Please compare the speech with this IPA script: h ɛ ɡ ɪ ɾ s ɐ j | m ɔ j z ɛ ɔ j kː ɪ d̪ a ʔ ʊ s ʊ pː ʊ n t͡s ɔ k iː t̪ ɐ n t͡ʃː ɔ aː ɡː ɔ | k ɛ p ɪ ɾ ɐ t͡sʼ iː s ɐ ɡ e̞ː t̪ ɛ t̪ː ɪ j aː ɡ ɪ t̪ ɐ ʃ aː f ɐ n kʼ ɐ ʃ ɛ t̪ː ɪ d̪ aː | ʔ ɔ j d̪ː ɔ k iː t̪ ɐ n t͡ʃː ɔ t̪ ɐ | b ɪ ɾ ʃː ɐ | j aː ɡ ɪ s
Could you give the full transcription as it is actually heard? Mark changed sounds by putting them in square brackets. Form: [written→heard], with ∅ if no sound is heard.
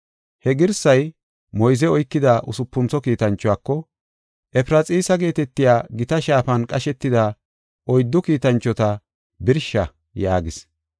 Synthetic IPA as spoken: h ɛ ɡ ɪ ɾ s ɐ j | m ɔ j z ɛ ɔ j kː ɪ d̪ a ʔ ʊ s ʊ pː ʊ n t͡s ɔ k iː t̪ ɐ n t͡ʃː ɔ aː [ɡː→kː] ɔ | [k→ʔ] ɛ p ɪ ɾ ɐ t͡sʼ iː s ɐ ɡ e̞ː t̪ ɛ t̪ː ɪ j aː ɡ ɪ t̪ ɐ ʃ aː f ɐ n kʼ ɐ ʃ ɛ t̪ː ɪ d̪ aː | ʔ ɔ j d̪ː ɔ k iː t̪ ɐ n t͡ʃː ɔ t̪ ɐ | b ɪ ɾ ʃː ɐ | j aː ɡ ɪ s

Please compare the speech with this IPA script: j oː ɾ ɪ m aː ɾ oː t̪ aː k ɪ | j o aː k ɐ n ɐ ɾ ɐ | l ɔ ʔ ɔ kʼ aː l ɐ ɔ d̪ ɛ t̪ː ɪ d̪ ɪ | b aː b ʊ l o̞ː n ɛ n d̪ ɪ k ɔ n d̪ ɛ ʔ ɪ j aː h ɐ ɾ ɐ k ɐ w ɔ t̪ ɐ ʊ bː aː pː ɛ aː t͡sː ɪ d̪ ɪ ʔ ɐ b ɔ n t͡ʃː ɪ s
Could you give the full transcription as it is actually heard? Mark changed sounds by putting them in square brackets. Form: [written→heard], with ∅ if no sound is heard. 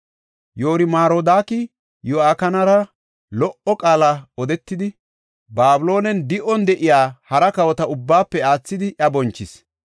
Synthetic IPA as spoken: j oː ɾ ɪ m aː ɾ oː [t̪→d̪] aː k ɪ | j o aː k ɐ n ɐ ɾ ɐ | l ɔ ʔ ɔ kʼ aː l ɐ ɔ d̪ ɛ t̪ː ɪ d̪ ɪ | b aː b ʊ l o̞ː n ɛ n d̪ ɪ [k→ʔ] ɔ n d̪ ɛ ʔ ɪ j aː h ɐ ɾ ɐ k ɐ w ɔ t̪ ɐ ʊ bː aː pː ɛ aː t͡sː ɪ d̪ ɪ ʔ ɐ b ɔ n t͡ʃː ɪ s

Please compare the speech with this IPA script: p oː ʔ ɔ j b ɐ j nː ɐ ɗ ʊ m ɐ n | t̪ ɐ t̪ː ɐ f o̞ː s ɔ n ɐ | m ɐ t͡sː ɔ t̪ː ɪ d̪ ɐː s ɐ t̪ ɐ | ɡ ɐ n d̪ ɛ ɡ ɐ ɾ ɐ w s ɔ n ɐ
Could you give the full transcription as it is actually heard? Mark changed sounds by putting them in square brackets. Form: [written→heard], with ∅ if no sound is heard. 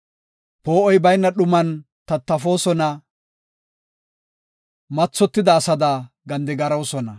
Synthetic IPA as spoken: p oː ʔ ɔ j b ɐ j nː ɐ ɗ ʊ m ɐ n | t̪ ɐ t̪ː ɐ f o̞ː s ɔ n ɐ | m ɐ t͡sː ɔ t̪ː ɪ d̪ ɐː s ɐ [t̪→d̪] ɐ | ɡ ɐ n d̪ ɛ ɡ ɐ ɾ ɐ w s ɔ n ɐ

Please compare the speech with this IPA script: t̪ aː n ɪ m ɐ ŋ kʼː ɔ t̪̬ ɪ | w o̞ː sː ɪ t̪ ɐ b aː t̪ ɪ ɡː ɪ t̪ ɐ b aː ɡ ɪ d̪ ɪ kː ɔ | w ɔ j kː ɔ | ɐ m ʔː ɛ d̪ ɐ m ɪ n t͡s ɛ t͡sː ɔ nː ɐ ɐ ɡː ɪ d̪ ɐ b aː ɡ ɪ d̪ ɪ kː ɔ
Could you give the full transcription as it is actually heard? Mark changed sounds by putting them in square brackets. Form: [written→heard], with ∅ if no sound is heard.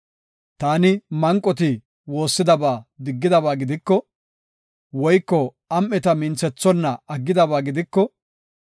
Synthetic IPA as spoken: t̪ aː n ɪ m ɐ ŋ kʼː ɔ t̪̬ ɪ | w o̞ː sː ɪ [t̪→d̪] ɐ b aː [t̪→d̪] ɪ ɡː ɪ [t̪→d̪] ɐ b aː ɡ ɪ d̪ ɪ kː ɔ | w ɔ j kː ɔ | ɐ m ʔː ɛ [d̪→t̪] ɐ m ɪ n t͡s ɛ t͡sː ɔ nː ɐ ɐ ɡː ɪ d̪ ɐ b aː ɡ ɪ d̪ ɪ kː ɔ

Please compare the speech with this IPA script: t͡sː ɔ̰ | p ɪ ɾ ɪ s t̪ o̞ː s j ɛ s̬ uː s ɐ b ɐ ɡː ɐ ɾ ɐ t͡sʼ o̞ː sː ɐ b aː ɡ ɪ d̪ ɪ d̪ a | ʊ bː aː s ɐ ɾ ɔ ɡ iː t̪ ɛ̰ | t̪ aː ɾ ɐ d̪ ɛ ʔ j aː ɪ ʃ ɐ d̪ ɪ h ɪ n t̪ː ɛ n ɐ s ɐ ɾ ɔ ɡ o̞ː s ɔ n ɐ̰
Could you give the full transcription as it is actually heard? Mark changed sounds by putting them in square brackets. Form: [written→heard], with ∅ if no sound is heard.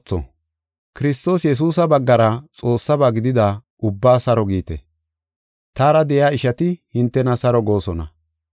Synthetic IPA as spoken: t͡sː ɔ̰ | [p→k] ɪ ɾ ɪ s t̪ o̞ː s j ɛ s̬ uː s ɐ b ɐ ɡː ɐ ɾ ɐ t͡sʼ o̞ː sː ɐ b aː ɡ ɪ d̪ ɪ d̪ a | ʊ bː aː s ɐ ɾ ɔ ɡ iː t̪ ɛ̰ | t̪ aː ɾ ɐ d̪ ɛ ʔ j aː ɪ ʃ ɐ [d̪→t̪] ɪ h ɪ n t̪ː ɛ n ɐ s ɐ ɾ ɔ ɡ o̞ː s ɔ n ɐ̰

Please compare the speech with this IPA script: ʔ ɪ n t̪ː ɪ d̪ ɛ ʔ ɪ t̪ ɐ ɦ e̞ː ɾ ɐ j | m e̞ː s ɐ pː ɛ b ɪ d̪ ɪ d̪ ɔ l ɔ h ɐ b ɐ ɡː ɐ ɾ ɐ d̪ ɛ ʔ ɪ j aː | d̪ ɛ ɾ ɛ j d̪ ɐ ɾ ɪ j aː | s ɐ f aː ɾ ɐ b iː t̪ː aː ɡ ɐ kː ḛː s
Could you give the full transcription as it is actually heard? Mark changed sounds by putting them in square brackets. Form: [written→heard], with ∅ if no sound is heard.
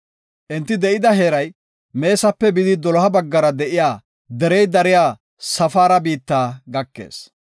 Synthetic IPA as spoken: ʔ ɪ n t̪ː ɪ d̪ ɛ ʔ ɪ [t̪→d̪] ɐ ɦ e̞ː ɾ ɐ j | m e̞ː s ɐ pː ɛ b ɪ d̪ ɪ d̪ ɔ l ɔ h ɐ b ɐ ɡː ɐ ɾ ɐ d̪ ɛ ʔ ɪ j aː | d̪ ɛ ɾ ɛ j d̪ ɐ ɾ ɪ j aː | s ɐ f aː ɾ ɐ b iː t̪ː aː ɡ ɐ kː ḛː s

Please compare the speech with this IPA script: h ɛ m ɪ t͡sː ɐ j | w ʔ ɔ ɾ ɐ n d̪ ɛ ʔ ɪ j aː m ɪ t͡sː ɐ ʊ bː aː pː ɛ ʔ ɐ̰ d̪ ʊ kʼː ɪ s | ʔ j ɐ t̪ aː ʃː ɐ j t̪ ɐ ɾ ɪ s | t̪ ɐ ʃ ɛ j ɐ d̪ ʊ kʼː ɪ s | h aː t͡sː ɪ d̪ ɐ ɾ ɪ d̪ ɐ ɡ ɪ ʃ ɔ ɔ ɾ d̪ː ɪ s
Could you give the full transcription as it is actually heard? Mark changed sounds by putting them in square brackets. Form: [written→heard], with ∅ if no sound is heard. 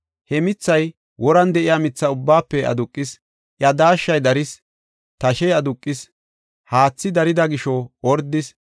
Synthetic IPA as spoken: h ɛ m ɪ t͡sː ɐ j | w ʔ ɔ ɾ ɐ n d̪ ɛ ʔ ɪ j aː m ɪ t͡sː ɐ ʊ bː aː pː ɛ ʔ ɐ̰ d̪ ʊ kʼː ɪ s | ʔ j ɐ [t̪→d̪] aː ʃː ɐ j [t̪→d̪] ɐ ɾ ɪ s | t̪ ɐ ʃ ɛ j ɐ d̪ ʊ kʼː ɪ s | h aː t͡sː ɪ d̪ ɐ ɾ ɪ d̪ ɐ ɡ ɪ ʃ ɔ ɔ ɾ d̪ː ɪ s

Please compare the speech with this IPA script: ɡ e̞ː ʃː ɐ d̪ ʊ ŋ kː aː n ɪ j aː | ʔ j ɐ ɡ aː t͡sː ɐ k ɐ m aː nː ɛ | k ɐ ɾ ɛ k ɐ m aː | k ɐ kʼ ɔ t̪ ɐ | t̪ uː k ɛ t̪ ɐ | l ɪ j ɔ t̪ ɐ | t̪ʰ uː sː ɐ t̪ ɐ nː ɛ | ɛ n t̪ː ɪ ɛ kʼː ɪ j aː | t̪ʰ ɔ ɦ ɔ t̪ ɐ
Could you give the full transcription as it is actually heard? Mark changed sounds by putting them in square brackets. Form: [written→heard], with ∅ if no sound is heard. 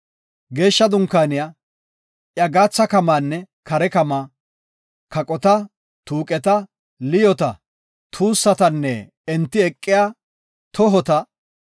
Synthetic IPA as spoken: ɡ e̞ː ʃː ɐ d̪ ʊ ŋ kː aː n ɪ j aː | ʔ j ɐ ɡ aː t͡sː ɐ k ɐ m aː nː ɛ | k ɐ ɾ ɛ k ɐ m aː | k ɐ kʼ ɔ t̪ ɐ | t̪ uː [k→kʼ] ɛ t̪ ɐ | l ɪ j ɔ t̪ ɐ | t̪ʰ uː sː ɐ t̪ ɐ nː ɛ | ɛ n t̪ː ɪ ɛ kʼː ɪ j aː | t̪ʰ ɔ ɦ ɔ t̪ ɐ

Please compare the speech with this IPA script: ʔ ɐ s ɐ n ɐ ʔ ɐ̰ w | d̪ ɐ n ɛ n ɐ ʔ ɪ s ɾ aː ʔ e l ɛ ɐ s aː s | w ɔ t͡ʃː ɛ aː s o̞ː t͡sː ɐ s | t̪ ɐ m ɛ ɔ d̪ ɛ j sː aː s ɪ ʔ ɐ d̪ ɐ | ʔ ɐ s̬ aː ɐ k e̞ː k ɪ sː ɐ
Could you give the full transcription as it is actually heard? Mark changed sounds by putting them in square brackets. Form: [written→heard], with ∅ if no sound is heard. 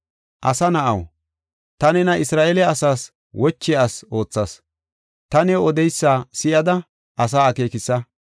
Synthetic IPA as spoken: ʔ ɐ s ɐ n ɐ ʔ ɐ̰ w | [d̪→t̪] ɐ n ɛ n ɐ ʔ ɪ s ɾ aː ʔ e l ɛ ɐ s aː s | w ɔ t͡ʃː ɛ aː s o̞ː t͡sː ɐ s | t̪ ɐ [m→n] ɛ ɔ d̪ ɛ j sː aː s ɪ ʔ ɐ d̪ ɐ | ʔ ɐ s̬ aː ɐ k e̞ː k ɪ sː ɐ

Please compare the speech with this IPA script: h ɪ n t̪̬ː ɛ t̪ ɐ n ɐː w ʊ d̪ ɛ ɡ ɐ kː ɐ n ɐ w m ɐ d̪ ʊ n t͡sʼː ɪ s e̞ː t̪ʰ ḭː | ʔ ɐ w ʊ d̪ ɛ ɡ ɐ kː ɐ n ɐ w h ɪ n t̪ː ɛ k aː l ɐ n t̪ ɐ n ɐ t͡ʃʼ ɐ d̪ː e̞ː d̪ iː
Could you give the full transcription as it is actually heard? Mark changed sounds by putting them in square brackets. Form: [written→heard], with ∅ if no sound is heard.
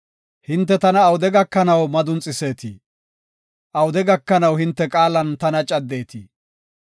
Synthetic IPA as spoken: h ɪ n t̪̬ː ɛ t̪ ɐ n ɐː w ʊ d̪ ɛ ɡ ɐ kː ɐ n ɐ w m ɐ d̪ ʊ n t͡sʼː ɪ s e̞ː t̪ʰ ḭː | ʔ ɐ w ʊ d̪ ɛ ɡ ɐ kː ɐ n ɐ w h ɪ n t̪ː ɛ [k→kʼ] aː l ɐ n t̪ ɐ n ɐ t͡ʃʼ ɐ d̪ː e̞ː [d̪→t̪] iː

